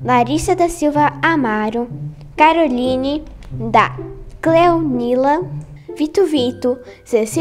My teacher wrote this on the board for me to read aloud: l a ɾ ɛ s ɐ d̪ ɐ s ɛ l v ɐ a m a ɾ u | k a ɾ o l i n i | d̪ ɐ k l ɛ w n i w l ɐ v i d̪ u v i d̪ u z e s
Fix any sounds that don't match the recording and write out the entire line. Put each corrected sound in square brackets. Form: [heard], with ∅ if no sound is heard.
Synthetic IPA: l a ɾ [i] s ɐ d̪ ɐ s [i] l v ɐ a m a ɾ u | k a ɾ o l i n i | d̪ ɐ k l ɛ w n i [∅] l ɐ v i [t̪] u v i [t̪] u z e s